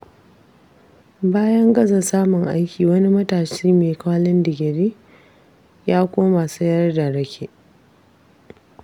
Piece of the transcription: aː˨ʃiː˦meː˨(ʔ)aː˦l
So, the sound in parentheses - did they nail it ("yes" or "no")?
no